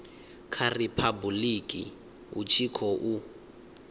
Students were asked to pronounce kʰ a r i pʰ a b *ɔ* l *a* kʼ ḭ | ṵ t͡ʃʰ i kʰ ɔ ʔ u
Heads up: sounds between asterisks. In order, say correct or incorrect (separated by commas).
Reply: incorrect, incorrect